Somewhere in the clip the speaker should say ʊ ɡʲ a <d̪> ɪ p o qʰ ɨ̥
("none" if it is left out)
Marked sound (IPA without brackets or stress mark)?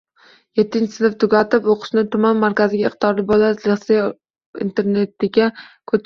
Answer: t̪